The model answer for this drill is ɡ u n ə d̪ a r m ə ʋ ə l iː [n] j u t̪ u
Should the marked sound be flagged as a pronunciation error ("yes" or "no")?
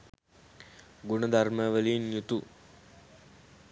no